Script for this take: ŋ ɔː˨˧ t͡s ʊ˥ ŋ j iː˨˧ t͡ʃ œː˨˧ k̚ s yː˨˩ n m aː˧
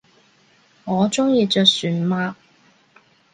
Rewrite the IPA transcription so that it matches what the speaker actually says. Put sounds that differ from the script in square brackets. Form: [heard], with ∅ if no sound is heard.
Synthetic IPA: ŋ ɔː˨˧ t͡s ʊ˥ ŋ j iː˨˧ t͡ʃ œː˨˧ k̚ s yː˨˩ n m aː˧